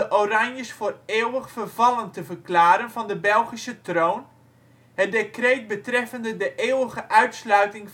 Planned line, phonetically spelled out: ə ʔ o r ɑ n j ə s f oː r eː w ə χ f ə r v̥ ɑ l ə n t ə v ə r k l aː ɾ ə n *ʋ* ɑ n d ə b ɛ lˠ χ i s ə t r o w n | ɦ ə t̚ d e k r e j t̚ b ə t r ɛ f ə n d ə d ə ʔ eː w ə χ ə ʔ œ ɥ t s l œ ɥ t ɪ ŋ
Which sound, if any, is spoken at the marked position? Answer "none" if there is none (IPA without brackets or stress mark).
v